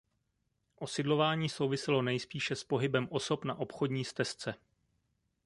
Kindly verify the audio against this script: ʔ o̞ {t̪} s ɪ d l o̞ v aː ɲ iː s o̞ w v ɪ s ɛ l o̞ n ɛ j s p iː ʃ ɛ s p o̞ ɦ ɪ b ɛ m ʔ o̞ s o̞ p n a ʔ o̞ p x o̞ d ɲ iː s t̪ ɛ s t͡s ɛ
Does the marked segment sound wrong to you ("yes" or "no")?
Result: yes